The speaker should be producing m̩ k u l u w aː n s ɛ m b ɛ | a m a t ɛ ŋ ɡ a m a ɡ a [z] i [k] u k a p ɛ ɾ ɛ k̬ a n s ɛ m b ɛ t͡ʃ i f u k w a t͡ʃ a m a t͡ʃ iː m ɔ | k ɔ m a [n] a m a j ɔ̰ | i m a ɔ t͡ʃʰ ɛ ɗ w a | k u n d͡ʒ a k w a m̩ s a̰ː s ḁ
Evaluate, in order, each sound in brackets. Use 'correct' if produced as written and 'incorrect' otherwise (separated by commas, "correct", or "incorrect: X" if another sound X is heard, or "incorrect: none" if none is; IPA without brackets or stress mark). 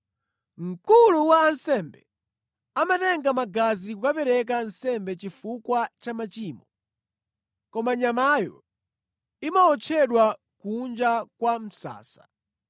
correct, correct, incorrect: ɲ